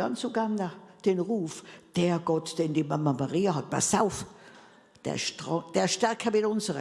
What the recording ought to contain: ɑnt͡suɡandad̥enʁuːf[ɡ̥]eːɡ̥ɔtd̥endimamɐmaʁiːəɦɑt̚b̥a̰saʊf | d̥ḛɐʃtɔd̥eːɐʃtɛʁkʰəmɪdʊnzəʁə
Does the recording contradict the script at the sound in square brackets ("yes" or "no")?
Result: yes